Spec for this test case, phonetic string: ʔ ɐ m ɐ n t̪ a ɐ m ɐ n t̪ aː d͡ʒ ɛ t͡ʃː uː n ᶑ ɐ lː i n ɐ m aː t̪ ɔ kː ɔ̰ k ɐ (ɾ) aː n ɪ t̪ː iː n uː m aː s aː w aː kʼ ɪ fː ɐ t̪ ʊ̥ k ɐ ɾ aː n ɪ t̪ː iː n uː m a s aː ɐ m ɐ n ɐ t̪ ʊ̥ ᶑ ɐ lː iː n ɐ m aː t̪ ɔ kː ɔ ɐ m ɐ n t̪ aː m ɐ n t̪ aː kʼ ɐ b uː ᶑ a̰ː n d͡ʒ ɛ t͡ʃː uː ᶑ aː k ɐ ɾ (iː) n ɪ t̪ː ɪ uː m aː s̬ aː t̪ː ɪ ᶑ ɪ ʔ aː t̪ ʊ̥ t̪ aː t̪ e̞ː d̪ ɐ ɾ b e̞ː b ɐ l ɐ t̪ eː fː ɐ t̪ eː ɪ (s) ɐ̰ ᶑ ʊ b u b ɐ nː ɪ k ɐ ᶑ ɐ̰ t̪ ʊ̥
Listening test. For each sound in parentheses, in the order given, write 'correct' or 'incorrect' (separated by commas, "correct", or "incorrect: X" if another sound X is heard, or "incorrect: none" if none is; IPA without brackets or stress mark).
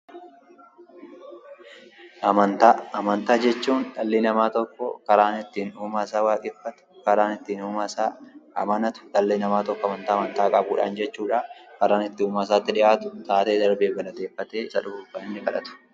correct, incorrect: aː, correct